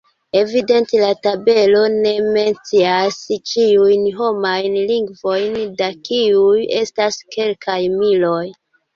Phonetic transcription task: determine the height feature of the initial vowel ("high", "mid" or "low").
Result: mid